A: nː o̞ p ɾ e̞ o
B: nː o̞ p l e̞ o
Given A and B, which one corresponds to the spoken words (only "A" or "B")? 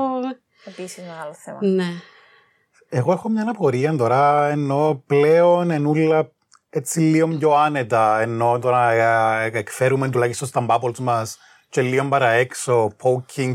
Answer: B